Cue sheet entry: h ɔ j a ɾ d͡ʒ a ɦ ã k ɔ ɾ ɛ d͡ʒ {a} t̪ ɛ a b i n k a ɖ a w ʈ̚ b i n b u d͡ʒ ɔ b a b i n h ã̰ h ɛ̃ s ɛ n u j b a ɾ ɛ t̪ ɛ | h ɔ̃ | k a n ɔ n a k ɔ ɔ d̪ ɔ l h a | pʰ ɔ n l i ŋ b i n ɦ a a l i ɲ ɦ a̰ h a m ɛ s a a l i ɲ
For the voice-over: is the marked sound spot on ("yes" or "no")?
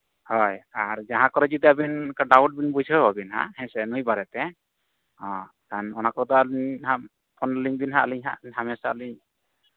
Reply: no